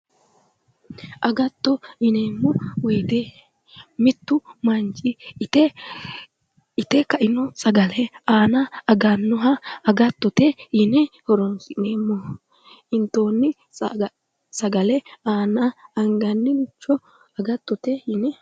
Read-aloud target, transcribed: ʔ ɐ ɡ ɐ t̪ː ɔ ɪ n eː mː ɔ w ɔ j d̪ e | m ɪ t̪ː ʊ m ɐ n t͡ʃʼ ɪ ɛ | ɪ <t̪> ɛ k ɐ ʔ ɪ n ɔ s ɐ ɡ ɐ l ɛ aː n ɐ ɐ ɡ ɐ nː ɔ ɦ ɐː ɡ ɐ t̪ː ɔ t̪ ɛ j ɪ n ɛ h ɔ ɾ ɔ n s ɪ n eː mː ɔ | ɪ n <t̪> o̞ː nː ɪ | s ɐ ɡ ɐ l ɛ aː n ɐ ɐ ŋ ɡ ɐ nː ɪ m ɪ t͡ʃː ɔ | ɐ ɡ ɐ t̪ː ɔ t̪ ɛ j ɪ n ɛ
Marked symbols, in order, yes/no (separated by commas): yes, yes